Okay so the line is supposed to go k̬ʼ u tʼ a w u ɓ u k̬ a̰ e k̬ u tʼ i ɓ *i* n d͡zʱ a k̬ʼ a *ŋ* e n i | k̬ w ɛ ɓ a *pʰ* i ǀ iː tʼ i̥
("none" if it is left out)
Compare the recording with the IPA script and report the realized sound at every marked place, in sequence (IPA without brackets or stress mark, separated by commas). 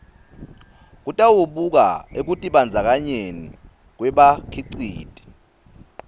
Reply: a, ɲ, kʰ